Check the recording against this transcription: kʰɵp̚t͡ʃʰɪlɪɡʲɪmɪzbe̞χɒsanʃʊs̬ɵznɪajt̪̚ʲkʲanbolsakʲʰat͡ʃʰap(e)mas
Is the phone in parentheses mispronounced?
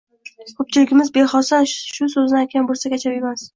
no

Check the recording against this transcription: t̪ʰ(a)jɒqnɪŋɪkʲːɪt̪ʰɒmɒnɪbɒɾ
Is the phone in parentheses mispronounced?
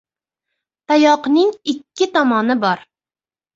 no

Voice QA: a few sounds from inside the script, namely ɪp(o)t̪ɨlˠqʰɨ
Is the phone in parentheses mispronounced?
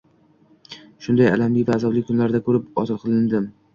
yes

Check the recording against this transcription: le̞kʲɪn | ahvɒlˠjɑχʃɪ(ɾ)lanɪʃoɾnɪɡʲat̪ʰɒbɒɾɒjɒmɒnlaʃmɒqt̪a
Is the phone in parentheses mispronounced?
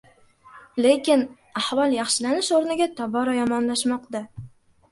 yes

